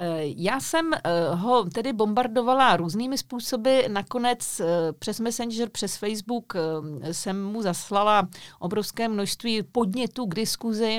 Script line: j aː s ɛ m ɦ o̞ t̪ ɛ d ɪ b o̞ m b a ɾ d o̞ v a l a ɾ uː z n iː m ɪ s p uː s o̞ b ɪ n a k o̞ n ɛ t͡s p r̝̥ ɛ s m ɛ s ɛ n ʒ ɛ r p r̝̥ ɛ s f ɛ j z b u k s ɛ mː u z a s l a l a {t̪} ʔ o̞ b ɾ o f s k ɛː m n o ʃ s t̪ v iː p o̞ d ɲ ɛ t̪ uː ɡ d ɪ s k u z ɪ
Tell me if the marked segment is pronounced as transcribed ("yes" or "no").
no